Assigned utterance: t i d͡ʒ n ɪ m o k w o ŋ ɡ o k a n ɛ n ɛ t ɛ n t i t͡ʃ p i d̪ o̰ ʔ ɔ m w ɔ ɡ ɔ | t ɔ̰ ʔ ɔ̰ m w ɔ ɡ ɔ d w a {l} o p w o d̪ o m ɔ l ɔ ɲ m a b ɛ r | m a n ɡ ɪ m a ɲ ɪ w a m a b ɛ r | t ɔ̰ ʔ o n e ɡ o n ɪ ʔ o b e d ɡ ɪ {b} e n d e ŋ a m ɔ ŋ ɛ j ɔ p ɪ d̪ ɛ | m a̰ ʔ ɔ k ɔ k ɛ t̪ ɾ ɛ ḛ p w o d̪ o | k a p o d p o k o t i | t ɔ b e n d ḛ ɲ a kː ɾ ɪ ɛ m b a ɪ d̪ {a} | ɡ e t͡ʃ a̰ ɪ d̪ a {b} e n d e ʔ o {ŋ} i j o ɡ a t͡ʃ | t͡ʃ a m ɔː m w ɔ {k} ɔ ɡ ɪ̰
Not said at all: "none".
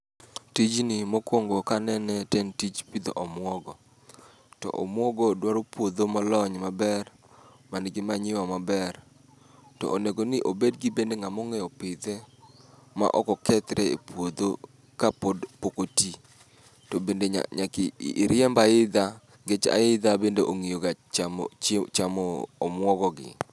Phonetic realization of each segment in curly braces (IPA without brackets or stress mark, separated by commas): ɾ, b, a, b, ŋ, ɡ